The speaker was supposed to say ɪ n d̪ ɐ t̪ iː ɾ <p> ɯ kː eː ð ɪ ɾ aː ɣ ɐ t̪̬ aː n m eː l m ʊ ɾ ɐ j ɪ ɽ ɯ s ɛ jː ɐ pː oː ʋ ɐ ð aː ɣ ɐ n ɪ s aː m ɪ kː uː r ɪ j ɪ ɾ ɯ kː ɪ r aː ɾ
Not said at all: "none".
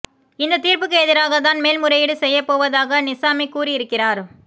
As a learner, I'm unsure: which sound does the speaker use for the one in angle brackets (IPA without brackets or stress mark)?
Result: p